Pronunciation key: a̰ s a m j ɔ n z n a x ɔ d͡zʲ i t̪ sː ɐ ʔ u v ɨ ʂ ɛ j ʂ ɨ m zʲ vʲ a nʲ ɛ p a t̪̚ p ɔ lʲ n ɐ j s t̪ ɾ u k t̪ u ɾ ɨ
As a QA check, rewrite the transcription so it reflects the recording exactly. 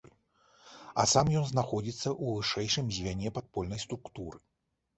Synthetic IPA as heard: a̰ s a m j ɔ n z n a x ɔ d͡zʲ i t̪ sː ɐ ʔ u v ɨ ʂ ɛ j ʂ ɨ m zʲ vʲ a nʲ ɛ p a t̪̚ p ɔ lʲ n ɐ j s t̪ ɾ u k t̪ u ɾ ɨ